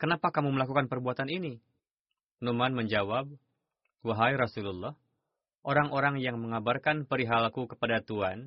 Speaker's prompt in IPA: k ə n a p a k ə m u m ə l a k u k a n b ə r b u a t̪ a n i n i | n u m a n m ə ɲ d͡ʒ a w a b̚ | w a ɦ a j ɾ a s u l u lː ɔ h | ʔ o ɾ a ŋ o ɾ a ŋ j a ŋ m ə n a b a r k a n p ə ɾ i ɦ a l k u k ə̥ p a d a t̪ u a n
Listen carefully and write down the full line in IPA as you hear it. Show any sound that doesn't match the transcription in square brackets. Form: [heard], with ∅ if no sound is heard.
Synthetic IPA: k ə n a p a k [a] m u m ə l a k u k a n [p] ə r b u a t̪ a n i n i | n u m a n m ə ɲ d͡ʒ a w a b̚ | w a ɦ a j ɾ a s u l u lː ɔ h | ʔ o ɾ a ŋ o ɾ a ŋ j a ŋ m ə [ŋ] a b a r k a n p ə ɾ i ɦ a l k u k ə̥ p a d a t̪ u a n